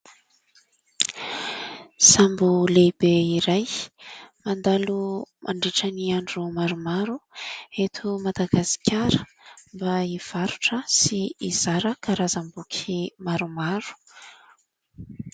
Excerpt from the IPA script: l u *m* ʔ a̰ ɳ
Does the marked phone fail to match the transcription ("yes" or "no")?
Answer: no